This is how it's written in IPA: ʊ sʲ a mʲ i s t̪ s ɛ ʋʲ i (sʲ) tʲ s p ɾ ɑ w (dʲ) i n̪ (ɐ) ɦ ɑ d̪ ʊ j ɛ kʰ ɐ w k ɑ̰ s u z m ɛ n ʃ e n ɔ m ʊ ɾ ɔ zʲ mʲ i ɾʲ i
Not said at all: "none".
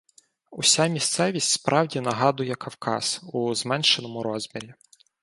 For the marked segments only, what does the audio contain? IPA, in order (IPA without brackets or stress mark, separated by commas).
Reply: sʲ, dʲ, ɐ